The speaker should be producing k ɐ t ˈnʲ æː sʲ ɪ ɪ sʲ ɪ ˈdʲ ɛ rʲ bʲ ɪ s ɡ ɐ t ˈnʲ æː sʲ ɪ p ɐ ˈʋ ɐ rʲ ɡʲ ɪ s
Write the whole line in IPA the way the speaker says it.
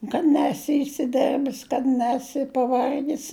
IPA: k ɐ t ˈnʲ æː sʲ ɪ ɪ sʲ ɪ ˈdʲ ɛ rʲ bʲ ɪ s k ɐ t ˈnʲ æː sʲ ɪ p ɐ ˈʋ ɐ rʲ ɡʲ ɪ s